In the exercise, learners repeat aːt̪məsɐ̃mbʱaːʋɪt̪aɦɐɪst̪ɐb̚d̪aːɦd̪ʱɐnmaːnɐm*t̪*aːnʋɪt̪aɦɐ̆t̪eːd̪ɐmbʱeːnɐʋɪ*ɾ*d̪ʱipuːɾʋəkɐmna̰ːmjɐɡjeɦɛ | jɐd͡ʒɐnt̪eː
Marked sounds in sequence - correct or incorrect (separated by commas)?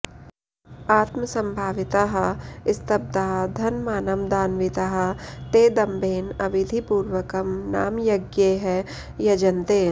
incorrect, incorrect